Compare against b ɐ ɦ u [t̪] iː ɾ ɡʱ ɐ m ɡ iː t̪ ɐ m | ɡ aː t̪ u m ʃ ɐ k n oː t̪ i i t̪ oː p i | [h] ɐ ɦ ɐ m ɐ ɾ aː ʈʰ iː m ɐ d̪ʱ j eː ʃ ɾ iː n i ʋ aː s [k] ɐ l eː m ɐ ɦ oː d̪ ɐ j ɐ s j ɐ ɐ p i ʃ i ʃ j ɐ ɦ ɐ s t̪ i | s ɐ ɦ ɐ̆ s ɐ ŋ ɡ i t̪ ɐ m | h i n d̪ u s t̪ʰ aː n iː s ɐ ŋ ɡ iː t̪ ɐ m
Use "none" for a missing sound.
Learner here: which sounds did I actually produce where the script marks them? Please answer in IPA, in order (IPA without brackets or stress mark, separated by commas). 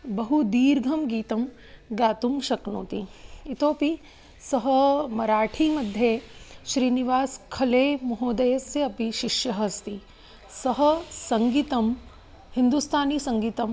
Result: d̪, s, kʰ